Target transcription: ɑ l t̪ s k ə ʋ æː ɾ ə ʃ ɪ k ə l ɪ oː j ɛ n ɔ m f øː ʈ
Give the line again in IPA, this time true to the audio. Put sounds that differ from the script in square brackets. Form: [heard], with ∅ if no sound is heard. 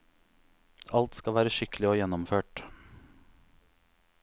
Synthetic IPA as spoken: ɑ l t̪ s k [ɑ] ʋ æː ɾ ə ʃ ɪ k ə l ɪ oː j ɛ n ɔ m f øː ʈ